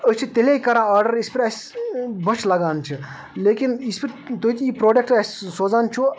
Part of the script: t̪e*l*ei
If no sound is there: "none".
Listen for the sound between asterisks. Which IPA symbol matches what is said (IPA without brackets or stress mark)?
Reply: l